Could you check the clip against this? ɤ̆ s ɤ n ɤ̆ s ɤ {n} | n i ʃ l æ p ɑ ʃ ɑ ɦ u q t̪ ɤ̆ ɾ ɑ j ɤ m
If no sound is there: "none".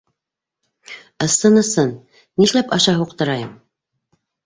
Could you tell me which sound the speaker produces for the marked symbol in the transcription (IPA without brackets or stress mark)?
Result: n